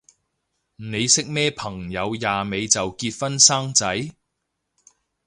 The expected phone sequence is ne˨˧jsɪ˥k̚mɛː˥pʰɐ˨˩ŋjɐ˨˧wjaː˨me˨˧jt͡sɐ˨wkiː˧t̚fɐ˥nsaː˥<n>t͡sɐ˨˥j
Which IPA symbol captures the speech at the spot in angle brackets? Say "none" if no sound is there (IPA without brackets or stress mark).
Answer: ŋ